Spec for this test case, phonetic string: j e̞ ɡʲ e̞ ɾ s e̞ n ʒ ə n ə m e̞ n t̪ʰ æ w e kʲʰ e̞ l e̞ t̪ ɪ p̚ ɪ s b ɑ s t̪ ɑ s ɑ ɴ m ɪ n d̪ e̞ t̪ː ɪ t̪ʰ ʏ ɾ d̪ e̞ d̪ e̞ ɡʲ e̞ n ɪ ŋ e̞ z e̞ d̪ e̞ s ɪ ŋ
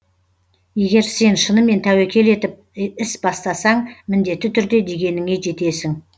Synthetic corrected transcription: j e̞ ɡʲ e̞ ɾ s e̞ n ʃ ə n ə m e̞ n t̪ʰ æ w e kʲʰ e̞ l e̞ t̪ ɪ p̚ ɪ s b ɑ s t̪ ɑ s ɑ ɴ m ɪ n d̪ e̞ t̪ː ɪ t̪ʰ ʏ ɾ d̪ e̞ d̪ e̞ ɡʲ e̞ n ɪ ŋ e̞ ʒ e̞ t̪ e̞ s ɪ ŋ